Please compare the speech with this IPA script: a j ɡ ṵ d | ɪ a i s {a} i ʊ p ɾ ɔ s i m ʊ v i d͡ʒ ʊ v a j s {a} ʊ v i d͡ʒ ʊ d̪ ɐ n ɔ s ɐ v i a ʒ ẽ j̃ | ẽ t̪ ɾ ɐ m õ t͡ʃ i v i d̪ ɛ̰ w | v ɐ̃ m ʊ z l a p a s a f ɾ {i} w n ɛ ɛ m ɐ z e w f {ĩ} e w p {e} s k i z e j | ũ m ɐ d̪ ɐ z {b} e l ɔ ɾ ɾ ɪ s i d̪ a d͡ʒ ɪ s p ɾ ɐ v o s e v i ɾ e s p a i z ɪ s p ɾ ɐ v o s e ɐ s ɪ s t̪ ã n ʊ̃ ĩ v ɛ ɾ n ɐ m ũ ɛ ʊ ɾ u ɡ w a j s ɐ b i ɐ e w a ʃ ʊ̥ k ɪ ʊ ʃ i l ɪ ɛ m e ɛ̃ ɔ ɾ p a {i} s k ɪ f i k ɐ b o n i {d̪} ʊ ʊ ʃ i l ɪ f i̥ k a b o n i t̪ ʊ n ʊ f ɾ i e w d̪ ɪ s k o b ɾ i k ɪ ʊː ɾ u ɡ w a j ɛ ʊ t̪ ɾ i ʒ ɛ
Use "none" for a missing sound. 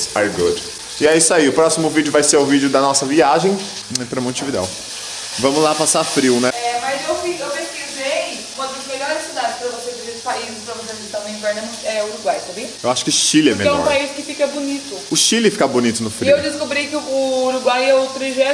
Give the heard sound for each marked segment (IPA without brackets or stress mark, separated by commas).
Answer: a, e, i, i, e, m, i, t̪